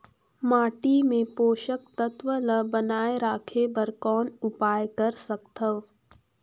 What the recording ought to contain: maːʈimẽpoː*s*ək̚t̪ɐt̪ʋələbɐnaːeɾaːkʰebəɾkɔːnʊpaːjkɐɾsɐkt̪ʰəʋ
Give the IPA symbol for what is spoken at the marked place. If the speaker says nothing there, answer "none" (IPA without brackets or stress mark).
ʃ